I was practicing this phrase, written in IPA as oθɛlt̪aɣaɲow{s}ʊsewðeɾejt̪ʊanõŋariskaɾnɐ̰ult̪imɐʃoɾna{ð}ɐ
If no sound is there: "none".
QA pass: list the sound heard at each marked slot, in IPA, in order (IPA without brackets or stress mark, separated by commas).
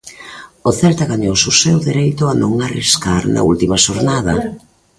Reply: s, ð